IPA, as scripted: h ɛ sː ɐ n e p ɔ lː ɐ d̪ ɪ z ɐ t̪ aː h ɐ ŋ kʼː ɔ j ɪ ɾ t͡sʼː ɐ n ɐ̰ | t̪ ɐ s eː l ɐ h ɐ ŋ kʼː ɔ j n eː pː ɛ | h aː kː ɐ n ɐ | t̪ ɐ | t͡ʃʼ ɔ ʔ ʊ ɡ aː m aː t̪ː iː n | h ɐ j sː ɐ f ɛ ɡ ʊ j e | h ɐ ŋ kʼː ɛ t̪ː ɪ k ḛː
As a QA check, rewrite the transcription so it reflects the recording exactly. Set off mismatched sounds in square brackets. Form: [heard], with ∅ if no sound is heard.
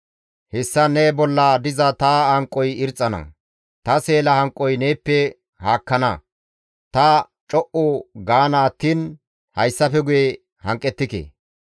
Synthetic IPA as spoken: h ɛ sː ɐ n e [b] ɔ lː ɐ d̪ ɪ z ɐ t̪ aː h ɐ ŋ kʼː ɔ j ɪ ɾ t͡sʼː ɐ n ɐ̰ | t̪ ɐ s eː l ɐ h ɐ ŋ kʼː ɔ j n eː pː ɛ | h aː kː ɐ n ɐ | t̪ ɐ | t͡ʃʼ ɔ ʔ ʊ ɡ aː [n] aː t̪ː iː n | h ɐ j sː ɐ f ɛ ɡ ʊ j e | h ɐ ŋ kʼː ɛ t̪ː ɪ k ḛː